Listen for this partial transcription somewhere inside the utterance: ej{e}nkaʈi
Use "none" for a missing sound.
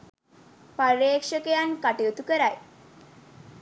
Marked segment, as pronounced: a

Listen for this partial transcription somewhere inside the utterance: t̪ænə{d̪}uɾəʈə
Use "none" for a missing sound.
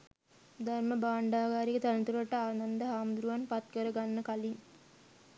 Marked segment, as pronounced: t̪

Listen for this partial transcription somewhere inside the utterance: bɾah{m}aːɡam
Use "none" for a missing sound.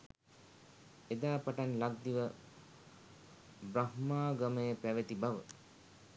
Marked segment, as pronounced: m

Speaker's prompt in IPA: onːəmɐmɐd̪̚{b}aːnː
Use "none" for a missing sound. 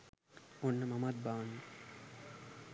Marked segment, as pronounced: b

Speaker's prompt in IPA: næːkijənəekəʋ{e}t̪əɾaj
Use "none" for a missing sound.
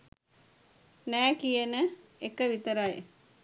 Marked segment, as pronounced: i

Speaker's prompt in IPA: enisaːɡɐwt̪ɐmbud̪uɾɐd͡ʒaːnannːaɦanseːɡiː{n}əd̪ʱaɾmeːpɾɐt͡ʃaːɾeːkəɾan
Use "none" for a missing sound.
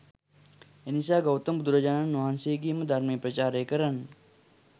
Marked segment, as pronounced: m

